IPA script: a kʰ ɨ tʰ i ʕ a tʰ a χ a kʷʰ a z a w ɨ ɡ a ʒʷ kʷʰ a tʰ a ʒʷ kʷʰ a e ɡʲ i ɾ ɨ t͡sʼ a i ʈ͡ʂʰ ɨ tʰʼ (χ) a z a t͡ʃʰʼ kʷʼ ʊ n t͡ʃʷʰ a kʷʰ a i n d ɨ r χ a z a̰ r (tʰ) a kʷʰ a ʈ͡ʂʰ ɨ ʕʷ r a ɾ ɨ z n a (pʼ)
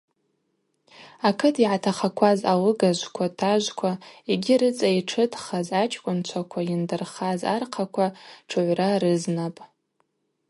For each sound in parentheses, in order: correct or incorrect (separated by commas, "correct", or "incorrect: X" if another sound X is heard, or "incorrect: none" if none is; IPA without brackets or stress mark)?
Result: correct, incorrect: qʰ, correct